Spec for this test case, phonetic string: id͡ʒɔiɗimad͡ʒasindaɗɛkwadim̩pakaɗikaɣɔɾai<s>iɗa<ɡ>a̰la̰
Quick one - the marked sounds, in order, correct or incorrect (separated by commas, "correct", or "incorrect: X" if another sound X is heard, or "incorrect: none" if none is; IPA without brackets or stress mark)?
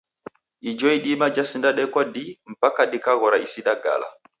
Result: correct, correct